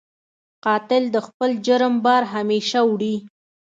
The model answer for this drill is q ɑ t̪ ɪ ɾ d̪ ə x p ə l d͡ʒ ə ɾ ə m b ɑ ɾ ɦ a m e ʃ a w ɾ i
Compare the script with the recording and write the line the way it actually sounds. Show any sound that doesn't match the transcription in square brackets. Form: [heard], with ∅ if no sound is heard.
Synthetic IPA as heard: q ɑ t̪ ɪ [l] d̪ ə x p ə l d͡ʒ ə ɾ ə m b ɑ ɾ ɦ a m e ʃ a w [ɽ] i